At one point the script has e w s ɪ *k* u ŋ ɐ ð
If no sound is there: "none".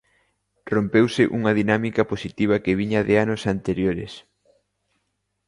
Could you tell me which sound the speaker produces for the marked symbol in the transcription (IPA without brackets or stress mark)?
ʔ